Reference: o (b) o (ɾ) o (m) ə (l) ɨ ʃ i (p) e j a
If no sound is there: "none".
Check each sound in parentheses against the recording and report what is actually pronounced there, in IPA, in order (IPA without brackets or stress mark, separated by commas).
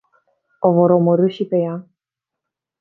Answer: v, ɾ, m, ɾ, p